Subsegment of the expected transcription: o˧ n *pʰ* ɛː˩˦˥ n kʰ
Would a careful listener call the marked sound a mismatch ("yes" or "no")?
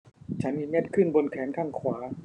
yes